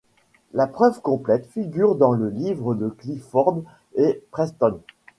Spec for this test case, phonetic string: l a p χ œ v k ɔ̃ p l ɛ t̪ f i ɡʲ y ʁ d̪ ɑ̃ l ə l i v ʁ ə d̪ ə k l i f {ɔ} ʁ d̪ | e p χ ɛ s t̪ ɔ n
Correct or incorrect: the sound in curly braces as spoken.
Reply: correct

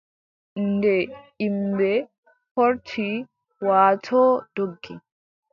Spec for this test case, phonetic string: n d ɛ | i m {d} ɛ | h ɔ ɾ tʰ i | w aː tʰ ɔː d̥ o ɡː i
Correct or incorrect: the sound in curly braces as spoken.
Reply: incorrect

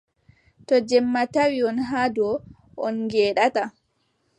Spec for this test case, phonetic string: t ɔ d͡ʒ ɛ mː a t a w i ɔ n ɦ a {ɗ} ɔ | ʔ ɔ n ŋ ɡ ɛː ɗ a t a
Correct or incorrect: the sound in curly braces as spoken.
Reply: incorrect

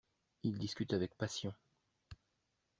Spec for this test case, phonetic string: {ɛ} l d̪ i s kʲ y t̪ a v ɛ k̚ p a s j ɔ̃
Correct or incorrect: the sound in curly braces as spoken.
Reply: incorrect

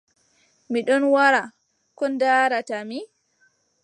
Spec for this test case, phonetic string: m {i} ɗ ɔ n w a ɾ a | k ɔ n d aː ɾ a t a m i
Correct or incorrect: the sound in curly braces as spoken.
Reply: correct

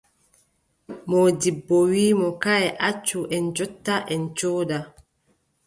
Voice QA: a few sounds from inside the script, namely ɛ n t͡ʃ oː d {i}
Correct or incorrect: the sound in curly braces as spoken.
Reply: incorrect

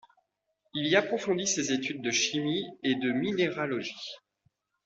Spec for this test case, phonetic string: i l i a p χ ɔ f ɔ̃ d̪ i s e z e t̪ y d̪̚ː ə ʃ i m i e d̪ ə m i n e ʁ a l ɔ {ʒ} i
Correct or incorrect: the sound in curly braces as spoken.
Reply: correct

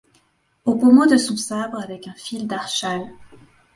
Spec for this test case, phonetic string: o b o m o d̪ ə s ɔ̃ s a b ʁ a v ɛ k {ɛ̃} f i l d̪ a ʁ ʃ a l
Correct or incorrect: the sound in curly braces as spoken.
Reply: correct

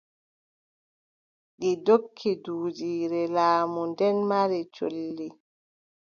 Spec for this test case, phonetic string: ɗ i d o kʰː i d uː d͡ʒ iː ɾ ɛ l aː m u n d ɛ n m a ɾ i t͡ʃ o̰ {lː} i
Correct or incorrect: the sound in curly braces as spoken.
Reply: correct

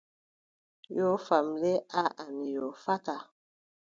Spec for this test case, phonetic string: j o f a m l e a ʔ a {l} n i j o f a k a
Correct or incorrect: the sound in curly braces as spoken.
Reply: incorrect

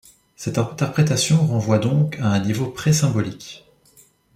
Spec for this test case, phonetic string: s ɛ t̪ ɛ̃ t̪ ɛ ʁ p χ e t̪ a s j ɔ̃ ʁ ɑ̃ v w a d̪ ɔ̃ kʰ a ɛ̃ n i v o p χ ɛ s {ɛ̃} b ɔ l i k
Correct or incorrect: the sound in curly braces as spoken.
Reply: correct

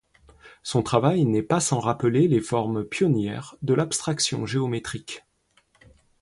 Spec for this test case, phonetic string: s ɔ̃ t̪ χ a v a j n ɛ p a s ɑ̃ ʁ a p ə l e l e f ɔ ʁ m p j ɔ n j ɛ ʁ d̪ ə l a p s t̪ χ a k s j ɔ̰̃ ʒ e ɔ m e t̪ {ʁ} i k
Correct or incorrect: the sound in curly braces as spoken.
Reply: incorrect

